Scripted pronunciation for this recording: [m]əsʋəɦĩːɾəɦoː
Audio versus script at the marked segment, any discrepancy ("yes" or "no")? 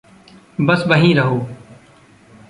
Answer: yes